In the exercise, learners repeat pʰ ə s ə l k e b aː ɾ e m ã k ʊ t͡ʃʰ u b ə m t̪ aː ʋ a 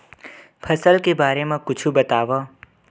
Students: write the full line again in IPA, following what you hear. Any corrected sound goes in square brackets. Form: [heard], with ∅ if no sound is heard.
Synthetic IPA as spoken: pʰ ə s ə l k e b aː ɾ e m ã k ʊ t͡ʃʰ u b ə [∅] t̪ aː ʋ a